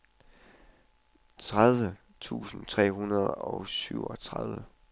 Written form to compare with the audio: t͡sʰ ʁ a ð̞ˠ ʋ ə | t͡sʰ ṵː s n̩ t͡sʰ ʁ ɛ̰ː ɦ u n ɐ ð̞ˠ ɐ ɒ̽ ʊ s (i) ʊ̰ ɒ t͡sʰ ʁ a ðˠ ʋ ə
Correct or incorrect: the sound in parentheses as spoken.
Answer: incorrect: y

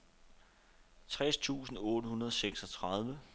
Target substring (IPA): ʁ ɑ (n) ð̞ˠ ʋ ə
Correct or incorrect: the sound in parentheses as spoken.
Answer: incorrect: none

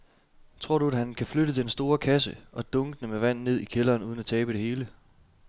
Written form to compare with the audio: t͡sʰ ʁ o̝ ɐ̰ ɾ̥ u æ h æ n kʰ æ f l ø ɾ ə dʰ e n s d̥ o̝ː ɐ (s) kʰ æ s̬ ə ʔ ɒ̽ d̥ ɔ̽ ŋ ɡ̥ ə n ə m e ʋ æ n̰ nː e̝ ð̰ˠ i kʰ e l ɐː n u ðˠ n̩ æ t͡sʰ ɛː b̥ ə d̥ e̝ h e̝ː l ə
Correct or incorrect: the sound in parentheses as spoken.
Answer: incorrect: none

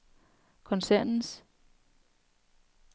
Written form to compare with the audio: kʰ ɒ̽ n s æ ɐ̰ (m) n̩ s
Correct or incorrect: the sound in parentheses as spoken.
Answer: incorrect: n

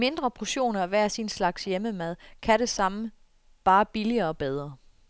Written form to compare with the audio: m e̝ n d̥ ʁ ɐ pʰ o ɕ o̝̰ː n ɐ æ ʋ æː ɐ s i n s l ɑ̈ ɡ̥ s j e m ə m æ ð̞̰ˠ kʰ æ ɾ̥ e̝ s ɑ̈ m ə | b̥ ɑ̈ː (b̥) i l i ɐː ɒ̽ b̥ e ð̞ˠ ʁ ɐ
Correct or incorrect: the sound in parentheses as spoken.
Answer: correct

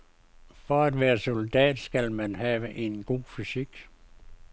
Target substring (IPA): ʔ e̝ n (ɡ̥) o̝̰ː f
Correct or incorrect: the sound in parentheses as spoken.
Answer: correct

